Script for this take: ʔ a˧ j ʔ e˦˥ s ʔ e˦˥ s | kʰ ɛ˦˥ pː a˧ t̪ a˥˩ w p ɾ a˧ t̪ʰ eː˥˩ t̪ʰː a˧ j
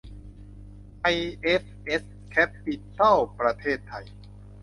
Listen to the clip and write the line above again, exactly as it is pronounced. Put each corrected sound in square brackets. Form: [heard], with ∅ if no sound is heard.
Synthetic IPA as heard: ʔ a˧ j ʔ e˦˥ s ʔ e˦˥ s | kʰ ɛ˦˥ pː [i˧] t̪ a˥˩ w p ɾ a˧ t̪ʰ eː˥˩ t̪ʰː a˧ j